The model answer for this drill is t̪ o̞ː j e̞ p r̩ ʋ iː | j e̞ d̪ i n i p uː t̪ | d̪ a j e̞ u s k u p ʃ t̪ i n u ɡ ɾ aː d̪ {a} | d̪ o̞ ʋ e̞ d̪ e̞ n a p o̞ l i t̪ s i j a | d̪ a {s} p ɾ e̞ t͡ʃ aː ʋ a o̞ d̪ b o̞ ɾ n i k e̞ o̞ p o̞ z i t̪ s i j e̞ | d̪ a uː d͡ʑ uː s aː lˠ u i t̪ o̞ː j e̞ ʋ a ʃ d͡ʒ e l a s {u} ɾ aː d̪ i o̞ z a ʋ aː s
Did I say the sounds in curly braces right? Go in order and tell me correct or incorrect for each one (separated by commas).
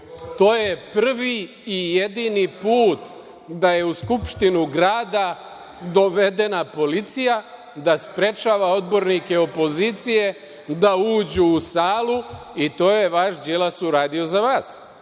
correct, correct, correct